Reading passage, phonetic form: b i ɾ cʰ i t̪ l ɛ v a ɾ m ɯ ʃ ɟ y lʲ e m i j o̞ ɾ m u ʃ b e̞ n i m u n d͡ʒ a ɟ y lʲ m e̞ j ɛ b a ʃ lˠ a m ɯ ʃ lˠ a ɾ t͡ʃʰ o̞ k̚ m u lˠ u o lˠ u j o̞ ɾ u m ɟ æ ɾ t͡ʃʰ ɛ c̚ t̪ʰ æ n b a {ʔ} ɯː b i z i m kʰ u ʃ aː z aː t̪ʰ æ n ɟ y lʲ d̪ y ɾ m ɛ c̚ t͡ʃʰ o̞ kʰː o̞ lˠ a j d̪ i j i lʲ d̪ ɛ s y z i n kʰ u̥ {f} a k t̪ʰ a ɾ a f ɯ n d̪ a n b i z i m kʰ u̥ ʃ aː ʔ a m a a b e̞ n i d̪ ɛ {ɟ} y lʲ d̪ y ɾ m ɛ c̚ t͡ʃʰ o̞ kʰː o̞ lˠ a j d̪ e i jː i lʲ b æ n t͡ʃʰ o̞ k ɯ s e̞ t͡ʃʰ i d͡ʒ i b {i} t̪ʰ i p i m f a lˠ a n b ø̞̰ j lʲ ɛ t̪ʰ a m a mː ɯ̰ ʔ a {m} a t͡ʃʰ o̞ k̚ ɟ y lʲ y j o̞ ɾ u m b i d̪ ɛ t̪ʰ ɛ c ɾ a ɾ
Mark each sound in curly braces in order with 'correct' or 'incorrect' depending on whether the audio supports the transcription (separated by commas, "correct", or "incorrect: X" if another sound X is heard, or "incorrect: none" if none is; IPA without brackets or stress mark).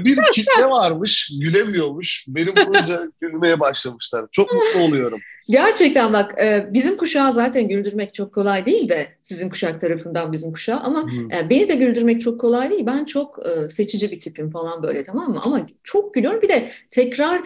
incorrect: k, incorrect: ʃ, correct, correct, correct